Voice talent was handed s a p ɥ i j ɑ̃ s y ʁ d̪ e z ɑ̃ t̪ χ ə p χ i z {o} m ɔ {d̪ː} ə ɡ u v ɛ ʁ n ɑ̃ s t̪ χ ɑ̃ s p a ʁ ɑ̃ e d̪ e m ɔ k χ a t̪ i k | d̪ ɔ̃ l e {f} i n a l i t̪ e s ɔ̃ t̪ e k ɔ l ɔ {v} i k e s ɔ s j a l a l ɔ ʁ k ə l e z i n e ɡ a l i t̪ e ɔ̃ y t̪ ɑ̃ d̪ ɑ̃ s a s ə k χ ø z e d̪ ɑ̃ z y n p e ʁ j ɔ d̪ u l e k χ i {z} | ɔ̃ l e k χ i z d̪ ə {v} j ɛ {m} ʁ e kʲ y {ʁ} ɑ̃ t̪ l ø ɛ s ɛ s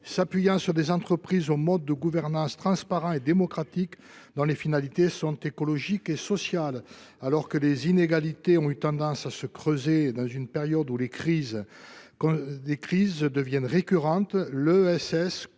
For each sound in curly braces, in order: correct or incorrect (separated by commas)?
correct, correct, correct, incorrect, correct, correct, incorrect, correct